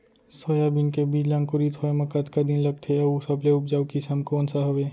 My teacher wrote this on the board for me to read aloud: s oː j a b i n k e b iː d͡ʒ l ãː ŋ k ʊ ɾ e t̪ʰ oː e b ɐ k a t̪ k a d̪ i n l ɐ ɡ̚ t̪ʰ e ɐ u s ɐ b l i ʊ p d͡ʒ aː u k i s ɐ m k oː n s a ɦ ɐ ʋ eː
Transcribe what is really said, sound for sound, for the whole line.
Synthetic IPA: s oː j a b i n k e b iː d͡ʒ l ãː ŋ k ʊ ɾ i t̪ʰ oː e m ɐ k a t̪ k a d̪ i n l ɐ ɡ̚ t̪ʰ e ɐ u s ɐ b l e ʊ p d͡ʒ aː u k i s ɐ m k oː n s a ɦ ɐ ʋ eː